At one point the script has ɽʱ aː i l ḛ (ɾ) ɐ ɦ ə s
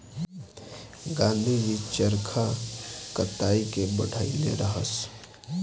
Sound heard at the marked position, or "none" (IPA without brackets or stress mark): ɾ